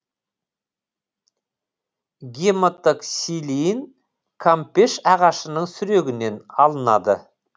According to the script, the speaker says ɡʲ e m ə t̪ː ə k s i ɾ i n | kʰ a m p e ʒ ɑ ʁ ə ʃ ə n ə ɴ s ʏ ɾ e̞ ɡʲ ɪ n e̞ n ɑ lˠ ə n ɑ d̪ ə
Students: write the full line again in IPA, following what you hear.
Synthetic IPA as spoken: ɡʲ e m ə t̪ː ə k s i l i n | kʰ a m p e ʃ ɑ ʁ ɑ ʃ ə n ə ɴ s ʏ ɾ e̞ ɡʲ ɪ n e̞ n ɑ lˠ ə n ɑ d̪ ə